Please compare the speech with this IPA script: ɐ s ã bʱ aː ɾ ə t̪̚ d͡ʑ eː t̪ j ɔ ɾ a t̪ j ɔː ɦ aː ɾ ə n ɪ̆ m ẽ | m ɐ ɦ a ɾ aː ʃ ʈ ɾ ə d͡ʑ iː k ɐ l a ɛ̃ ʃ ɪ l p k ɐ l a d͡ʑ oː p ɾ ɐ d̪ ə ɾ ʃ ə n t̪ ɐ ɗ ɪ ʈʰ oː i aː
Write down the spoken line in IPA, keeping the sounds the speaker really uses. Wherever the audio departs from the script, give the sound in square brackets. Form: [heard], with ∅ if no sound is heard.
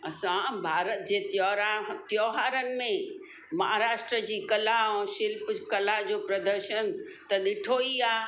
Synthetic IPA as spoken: ɐ s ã bʱ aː ɾ ə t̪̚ d͡ʑ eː t̪ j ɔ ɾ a t̪ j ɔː ɦ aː ɾ ə n ɪ̆ m ẽ | m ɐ ɦ a ɾ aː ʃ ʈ ɾ ə d͡ʑ iː k ɐ l a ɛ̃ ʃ ɪ l p k ɐ l a d͡ʑ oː p ɾ ɐ d̪ ə ɾ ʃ ə n t̪ ɐ ɗ ɪ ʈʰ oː i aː